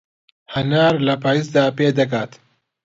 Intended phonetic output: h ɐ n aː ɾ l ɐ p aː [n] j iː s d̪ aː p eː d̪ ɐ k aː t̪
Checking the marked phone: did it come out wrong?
yes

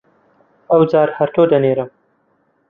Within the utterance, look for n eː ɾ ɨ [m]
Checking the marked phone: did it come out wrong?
no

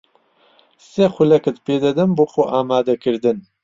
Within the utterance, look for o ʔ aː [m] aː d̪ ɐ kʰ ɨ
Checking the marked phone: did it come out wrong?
no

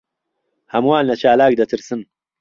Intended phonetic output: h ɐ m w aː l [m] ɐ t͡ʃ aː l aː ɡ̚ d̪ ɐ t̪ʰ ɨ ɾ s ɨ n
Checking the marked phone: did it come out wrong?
yes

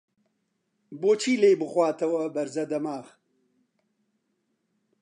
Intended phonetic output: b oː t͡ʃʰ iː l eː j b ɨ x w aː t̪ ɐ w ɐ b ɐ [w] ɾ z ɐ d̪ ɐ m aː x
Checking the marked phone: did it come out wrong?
yes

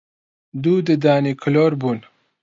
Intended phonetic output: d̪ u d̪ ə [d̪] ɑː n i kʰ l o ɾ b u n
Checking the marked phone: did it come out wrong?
no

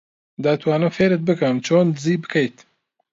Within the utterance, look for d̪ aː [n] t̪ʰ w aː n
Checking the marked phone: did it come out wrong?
yes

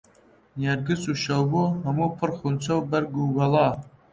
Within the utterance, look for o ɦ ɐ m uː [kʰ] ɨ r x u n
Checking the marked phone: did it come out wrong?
yes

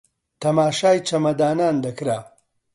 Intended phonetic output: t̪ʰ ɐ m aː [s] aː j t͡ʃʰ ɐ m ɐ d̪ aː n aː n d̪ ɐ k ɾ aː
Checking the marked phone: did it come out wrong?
yes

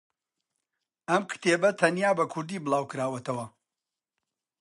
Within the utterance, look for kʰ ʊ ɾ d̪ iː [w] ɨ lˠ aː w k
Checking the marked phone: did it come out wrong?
yes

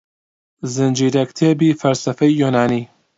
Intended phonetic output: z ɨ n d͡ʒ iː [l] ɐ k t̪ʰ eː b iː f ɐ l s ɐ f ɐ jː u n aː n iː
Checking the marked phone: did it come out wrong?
yes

